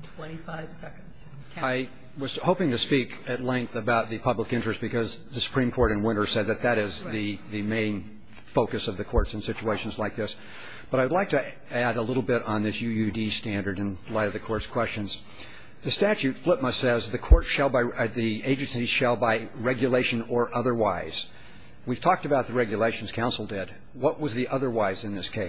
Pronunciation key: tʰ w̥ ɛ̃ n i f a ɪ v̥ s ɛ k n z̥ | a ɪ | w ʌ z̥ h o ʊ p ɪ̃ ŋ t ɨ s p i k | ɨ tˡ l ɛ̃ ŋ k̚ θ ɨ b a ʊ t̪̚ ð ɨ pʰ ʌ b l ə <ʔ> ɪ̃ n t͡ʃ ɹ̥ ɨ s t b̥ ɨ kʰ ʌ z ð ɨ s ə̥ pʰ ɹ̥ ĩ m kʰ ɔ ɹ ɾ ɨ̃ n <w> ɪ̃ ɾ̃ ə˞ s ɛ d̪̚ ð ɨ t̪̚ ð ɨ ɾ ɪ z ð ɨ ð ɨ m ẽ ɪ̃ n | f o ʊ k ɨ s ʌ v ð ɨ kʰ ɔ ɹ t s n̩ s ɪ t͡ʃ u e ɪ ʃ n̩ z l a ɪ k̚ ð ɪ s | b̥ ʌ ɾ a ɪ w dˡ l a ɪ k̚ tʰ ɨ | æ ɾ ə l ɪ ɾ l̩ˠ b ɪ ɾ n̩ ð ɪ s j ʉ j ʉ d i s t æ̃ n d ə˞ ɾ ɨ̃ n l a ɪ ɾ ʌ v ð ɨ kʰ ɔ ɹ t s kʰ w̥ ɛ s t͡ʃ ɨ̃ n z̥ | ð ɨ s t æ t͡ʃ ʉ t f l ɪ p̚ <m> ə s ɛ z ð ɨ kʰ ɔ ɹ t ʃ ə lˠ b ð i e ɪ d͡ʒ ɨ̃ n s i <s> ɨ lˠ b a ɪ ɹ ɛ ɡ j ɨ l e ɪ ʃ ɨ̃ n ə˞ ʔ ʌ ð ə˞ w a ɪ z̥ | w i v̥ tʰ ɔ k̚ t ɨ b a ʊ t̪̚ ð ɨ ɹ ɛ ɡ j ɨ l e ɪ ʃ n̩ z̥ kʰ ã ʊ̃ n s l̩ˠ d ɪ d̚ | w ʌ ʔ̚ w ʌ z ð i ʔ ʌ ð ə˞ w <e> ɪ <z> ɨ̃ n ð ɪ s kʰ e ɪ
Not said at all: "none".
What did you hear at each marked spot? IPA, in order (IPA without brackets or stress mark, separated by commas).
k, w, m, ʃ, a, z